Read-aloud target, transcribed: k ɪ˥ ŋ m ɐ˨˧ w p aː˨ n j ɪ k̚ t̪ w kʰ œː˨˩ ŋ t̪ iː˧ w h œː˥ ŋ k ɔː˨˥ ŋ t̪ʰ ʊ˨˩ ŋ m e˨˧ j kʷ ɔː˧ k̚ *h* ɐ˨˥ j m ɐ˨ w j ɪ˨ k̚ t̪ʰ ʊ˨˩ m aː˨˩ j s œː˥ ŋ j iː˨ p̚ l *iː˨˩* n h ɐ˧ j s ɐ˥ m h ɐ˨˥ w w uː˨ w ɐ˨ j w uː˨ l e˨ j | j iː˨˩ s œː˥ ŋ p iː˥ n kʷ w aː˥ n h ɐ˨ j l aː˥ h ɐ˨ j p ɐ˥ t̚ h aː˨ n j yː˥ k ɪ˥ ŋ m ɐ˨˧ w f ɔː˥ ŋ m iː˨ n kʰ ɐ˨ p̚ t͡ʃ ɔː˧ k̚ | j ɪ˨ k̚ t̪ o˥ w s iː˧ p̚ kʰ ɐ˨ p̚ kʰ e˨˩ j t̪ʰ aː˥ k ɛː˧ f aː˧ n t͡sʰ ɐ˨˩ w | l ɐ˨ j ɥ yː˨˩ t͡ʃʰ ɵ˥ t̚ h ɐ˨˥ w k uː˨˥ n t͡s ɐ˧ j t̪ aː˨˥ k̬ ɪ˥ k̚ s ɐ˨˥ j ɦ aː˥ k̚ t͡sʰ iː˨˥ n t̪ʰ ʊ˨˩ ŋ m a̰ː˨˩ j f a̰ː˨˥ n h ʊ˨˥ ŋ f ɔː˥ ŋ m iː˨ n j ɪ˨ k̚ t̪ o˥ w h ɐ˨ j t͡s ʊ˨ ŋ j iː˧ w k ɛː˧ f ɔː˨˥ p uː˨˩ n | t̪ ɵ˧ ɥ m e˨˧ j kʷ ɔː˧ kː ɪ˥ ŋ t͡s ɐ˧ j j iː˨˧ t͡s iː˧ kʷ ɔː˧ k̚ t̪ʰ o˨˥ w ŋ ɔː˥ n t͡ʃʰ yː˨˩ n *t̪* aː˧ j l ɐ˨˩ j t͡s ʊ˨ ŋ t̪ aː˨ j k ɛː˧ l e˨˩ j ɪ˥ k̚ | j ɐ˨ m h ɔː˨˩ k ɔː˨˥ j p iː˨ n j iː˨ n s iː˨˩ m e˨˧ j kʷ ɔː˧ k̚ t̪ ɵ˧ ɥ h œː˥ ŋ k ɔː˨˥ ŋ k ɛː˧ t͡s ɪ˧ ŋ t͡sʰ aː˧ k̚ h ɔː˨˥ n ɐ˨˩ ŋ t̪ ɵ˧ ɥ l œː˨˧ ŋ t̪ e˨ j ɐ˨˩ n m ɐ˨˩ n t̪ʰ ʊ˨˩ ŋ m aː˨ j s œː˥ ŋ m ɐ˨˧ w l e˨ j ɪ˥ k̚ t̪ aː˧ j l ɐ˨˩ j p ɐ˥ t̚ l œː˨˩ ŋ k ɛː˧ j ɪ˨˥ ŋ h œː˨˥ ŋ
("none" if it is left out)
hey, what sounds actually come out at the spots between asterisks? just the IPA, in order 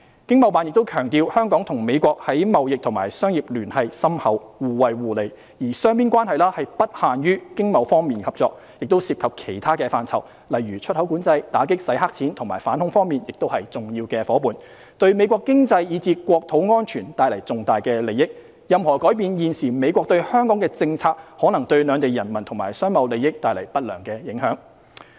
h, yː˨˩, t̪

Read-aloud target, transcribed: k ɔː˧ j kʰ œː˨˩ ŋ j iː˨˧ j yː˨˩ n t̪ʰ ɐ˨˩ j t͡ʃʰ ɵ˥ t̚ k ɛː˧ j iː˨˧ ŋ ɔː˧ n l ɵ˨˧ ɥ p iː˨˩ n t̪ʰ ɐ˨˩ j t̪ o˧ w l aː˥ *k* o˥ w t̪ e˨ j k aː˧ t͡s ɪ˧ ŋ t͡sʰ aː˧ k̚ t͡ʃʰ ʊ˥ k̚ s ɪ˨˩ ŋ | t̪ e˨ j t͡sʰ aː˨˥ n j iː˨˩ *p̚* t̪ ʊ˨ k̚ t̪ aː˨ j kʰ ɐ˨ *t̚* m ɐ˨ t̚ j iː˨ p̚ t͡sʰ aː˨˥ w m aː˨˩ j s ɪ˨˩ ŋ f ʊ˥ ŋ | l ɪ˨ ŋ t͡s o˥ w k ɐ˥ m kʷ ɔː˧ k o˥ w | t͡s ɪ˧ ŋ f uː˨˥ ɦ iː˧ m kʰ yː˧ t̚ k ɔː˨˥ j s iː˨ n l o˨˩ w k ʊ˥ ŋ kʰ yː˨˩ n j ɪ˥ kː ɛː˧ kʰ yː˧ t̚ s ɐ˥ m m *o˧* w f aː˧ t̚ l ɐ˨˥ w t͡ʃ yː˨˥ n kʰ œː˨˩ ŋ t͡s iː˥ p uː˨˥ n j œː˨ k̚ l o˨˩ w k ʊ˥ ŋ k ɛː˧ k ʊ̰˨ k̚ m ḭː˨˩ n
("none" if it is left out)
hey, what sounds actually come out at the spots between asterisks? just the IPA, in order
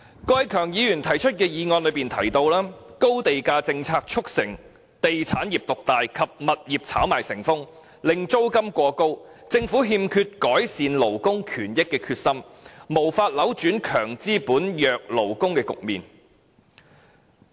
k, p̚, p̚, o˨˩

